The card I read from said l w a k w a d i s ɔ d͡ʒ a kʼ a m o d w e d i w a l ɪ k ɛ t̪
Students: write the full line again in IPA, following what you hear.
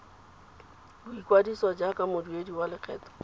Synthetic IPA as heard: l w i k w a d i s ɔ d͡ʒ a k a m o d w e d i w a l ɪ k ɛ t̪

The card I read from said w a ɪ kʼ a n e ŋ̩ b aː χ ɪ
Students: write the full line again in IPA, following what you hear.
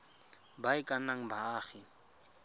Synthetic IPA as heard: b a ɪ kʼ a n a ŋ̩ b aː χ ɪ

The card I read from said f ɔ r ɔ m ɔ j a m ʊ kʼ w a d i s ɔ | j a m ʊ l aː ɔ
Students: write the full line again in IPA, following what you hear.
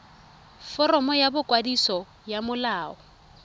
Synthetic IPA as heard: f ɔ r ɔ m ɔ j a b ʊ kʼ w a d i s ɔ | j a m ʊ l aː ɔ

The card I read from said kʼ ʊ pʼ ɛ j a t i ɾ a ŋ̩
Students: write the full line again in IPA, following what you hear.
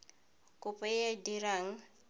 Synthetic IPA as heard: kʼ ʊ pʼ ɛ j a d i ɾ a ŋ̩

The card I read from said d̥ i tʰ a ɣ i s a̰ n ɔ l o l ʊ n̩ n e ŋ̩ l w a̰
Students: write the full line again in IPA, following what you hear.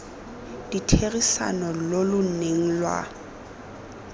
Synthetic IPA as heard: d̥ i tʰ e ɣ i s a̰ n ɔ l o l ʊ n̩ n e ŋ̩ l w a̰

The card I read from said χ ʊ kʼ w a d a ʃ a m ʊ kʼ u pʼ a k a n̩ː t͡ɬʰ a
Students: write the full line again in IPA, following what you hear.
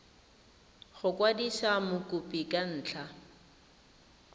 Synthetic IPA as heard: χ ʊ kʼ w a d i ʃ a m ʊ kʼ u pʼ i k a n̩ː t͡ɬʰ a

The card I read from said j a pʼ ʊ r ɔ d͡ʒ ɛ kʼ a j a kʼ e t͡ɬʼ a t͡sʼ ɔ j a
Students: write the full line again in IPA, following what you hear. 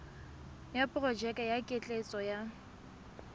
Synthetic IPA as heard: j a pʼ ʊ r ɔ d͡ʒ ɛ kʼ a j a kʼ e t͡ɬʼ e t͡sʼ ɔ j a

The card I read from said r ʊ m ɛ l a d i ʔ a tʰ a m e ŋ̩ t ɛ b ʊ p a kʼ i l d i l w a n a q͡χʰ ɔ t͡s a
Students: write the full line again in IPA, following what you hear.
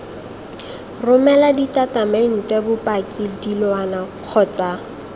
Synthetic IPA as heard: r ʊ m ɛ l a d i t a t a m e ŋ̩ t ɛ b ʊ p a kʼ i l d i l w a n a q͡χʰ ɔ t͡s a

